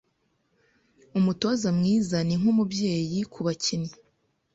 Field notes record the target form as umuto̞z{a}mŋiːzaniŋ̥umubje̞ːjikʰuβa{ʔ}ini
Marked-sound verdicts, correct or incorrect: correct, incorrect

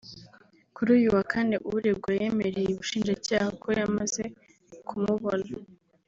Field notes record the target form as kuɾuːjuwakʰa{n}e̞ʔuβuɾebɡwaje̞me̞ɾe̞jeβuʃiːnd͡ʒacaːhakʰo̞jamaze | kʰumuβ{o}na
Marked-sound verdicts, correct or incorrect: correct, correct

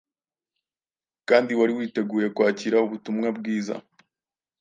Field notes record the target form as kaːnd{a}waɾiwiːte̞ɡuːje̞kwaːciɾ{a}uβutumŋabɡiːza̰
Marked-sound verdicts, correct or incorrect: incorrect, correct

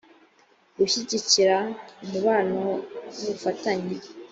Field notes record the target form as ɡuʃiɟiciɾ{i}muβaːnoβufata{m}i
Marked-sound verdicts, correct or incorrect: incorrect, incorrect

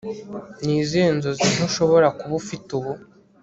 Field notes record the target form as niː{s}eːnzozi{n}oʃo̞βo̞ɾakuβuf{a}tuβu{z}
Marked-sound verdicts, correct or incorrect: incorrect, correct, incorrect, incorrect

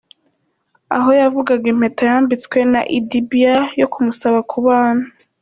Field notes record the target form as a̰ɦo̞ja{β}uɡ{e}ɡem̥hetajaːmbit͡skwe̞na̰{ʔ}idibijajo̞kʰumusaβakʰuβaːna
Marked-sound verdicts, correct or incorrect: incorrect, incorrect, correct

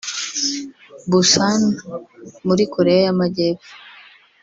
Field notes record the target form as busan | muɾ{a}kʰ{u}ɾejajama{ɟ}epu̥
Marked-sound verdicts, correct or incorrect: incorrect, incorrect, correct

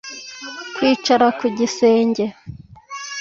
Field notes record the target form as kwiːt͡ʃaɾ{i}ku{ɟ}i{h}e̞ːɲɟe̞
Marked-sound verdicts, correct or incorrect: incorrect, correct, incorrect

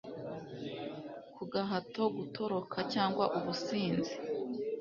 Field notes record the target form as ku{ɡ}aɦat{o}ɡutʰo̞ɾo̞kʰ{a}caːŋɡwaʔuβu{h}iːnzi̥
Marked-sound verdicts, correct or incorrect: correct, correct, correct, incorrect

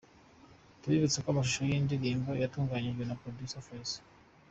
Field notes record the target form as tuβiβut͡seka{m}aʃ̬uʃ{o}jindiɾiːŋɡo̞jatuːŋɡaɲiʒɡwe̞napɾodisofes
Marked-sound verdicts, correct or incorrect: correct, correct

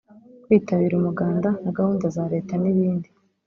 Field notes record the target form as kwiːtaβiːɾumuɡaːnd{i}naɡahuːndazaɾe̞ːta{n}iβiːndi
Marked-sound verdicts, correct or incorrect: incorrect, correct

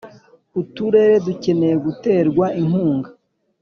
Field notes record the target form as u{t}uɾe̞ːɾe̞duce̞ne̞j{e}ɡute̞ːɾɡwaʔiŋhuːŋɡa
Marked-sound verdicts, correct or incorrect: correct, correct

